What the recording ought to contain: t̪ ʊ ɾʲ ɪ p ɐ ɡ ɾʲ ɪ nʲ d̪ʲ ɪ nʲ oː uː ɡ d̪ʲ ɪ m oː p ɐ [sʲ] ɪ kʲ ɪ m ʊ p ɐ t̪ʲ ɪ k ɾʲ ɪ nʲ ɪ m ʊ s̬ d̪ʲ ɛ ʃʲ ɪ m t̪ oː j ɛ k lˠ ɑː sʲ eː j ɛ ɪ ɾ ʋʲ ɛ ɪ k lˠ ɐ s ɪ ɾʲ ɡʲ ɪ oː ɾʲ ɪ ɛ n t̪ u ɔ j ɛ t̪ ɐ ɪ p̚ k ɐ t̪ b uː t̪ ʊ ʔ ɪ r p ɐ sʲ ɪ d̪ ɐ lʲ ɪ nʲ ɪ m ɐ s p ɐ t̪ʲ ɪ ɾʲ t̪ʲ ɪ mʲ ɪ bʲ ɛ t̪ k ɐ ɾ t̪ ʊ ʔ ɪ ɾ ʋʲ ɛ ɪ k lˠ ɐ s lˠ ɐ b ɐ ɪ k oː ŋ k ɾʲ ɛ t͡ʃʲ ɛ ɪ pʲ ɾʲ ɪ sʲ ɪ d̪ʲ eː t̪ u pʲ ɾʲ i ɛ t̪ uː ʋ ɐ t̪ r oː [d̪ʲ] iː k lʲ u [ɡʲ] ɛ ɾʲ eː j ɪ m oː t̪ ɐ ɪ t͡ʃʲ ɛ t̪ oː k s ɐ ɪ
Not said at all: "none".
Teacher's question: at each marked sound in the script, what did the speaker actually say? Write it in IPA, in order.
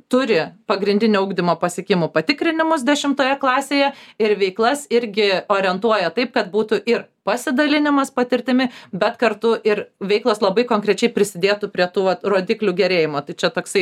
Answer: sʲ, d̪ʲ, ɡʲ

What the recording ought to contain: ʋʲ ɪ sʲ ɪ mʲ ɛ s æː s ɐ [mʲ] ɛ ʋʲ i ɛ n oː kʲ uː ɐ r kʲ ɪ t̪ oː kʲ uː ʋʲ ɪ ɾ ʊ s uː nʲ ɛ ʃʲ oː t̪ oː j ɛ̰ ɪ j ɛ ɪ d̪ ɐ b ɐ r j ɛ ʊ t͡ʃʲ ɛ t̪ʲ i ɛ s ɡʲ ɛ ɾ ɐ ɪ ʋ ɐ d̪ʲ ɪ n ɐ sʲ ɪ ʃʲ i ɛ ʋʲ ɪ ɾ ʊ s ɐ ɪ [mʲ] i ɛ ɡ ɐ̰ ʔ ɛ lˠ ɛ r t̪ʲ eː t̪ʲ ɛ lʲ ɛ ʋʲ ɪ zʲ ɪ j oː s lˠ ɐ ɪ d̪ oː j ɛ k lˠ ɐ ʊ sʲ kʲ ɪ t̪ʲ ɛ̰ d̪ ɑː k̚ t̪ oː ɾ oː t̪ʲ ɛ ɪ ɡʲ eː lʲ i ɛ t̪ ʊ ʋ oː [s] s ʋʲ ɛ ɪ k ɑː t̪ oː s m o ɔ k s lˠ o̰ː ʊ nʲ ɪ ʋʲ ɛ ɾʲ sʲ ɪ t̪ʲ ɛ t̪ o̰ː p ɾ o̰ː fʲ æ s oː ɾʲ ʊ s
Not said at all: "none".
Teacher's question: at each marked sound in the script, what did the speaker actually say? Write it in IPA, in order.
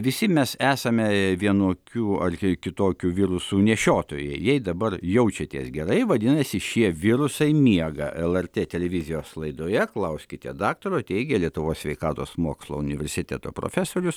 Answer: mʲ, mʲ, s

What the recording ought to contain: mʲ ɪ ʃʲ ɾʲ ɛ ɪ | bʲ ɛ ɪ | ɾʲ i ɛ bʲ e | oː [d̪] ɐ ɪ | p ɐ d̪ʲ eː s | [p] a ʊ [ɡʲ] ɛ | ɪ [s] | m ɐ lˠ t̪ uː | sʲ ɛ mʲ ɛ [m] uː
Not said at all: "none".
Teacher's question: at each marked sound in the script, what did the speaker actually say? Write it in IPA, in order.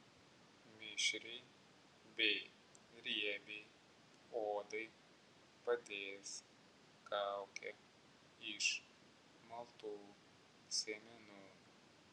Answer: d̪, k, kʲ, ʃ, n

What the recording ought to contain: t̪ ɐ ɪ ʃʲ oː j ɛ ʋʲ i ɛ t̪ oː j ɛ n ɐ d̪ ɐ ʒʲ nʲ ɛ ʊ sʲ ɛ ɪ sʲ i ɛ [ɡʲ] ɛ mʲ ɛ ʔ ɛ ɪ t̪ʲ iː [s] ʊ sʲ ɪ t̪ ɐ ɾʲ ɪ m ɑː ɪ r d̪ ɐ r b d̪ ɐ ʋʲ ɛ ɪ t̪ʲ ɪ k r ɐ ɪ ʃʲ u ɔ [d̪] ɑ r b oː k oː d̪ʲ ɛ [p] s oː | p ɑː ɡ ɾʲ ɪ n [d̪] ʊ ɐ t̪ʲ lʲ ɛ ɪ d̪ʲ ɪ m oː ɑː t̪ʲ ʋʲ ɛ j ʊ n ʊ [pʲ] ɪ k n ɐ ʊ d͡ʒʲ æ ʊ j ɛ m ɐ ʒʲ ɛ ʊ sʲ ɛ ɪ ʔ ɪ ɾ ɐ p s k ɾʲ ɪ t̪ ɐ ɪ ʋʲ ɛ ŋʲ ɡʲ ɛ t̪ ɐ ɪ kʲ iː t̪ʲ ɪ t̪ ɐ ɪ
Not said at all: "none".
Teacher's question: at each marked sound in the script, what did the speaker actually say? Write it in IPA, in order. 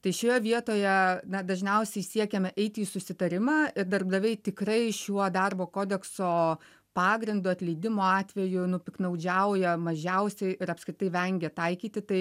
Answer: kʲ, s, d̪, k, d̪, pʲ

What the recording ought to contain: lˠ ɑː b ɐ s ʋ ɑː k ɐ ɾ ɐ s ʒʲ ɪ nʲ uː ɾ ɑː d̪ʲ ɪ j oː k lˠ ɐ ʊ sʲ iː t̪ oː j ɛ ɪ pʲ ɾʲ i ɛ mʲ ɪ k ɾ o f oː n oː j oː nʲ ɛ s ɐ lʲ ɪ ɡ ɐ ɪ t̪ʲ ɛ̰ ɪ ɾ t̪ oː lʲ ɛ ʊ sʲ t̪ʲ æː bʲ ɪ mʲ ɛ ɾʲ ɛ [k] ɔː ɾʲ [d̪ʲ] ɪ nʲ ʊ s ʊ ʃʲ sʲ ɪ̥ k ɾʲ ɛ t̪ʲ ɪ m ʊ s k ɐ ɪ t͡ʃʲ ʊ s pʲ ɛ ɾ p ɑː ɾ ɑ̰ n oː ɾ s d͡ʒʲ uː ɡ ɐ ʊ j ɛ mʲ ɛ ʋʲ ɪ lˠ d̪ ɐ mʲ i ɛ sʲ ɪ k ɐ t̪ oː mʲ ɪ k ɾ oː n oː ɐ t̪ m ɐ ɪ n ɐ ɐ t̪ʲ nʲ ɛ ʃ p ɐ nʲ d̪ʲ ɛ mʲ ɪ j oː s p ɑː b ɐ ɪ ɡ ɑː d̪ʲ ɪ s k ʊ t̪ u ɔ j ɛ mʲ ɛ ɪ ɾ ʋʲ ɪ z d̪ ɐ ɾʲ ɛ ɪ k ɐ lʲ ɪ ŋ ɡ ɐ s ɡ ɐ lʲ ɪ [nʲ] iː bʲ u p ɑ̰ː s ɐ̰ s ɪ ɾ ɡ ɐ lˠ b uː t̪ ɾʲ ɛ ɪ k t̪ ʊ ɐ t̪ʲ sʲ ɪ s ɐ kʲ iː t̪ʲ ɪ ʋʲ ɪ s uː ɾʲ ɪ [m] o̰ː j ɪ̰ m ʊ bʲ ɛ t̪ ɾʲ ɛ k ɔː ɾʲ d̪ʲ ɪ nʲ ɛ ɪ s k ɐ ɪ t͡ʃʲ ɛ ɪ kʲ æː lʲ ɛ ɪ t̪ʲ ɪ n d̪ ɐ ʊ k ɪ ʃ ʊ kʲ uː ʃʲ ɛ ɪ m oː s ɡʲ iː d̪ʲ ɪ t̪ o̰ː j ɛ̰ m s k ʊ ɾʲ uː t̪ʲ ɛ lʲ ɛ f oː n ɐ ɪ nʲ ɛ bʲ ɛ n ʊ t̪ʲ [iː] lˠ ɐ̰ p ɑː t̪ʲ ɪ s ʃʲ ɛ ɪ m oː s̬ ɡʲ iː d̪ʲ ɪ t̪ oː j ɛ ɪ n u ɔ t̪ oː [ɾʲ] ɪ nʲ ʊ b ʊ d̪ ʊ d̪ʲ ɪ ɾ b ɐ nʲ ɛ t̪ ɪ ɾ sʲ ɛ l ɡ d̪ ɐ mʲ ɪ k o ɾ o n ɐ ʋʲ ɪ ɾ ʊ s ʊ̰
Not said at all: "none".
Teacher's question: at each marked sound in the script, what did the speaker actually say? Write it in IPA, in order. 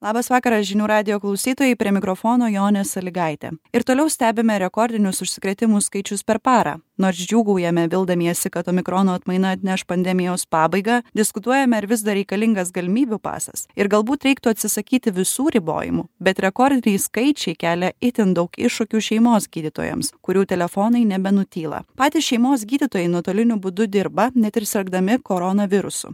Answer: k, d̪ʲ, mʲ, b, iː, lʲ

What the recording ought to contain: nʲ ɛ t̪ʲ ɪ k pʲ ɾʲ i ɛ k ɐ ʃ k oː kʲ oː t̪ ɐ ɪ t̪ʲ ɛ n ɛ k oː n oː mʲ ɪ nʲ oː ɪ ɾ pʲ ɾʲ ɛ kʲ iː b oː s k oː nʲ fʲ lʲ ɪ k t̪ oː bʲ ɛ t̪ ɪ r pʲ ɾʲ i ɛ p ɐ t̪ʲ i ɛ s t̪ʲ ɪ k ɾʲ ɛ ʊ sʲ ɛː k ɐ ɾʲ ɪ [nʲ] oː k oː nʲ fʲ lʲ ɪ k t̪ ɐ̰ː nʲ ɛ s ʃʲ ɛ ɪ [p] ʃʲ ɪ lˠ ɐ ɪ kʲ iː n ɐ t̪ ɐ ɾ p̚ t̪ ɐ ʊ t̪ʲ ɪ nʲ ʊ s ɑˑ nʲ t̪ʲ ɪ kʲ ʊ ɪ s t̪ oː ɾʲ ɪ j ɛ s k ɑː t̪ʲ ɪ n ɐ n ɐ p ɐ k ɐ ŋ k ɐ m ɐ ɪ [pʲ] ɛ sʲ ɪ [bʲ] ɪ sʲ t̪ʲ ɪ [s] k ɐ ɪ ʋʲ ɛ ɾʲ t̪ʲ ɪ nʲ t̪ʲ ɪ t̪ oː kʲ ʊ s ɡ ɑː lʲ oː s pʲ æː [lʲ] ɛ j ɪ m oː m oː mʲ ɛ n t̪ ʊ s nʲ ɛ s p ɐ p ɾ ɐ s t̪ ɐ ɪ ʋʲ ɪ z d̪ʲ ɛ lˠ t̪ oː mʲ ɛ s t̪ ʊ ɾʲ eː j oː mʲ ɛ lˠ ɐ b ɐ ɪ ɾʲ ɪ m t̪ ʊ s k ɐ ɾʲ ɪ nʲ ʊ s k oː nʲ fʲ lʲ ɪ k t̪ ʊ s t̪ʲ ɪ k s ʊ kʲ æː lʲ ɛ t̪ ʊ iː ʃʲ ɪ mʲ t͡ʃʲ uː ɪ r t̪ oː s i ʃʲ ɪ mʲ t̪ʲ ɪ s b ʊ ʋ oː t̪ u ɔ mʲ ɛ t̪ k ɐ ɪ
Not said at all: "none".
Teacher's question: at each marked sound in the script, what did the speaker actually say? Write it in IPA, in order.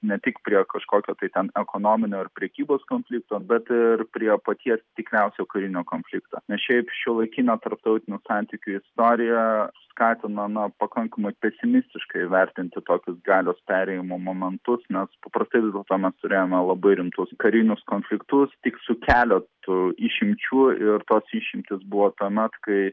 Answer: nʲ, p, pʲ, mʲ, ʃ, ɾʲ

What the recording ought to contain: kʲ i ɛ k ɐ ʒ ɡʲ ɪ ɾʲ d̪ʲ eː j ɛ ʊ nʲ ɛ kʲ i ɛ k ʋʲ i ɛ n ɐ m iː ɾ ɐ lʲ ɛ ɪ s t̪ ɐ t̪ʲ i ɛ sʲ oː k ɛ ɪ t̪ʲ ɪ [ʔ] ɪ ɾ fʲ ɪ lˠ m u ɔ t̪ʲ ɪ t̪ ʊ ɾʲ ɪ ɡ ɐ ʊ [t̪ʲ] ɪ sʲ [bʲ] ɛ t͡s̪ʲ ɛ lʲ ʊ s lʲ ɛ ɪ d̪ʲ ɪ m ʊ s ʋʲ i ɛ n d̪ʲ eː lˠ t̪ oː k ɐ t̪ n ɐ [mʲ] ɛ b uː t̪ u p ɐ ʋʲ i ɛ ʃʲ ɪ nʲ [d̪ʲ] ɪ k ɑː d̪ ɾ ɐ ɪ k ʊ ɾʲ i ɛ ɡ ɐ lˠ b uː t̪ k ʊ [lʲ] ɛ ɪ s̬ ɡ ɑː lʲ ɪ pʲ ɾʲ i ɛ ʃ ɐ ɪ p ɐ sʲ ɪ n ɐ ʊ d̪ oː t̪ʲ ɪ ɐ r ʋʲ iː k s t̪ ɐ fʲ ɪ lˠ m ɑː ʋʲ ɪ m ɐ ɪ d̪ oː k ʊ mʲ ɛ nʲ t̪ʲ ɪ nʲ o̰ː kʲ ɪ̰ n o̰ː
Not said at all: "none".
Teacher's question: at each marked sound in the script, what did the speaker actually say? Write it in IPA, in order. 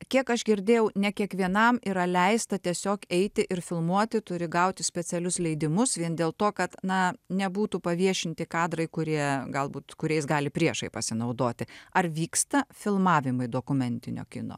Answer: ʔ, t̪ʲ, pʲ, nʲ, t̪ʲ, ɾʲ

